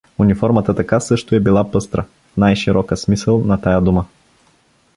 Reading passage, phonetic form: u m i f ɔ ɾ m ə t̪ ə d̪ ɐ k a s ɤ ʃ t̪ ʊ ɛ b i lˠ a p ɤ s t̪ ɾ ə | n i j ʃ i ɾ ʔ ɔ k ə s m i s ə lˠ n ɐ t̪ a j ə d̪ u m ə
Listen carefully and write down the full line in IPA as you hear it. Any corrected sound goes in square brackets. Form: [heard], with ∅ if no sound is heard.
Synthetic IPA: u [n] i f ɔ ɾ m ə t̪ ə [t̪] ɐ k a s ɤ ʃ t̪ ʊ ɛ b i lˠ a p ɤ s t̪ ɾ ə | n [a] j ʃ i ɾ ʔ ɔ k ə s m i s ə lˠ n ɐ t̪ a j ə d̪ u m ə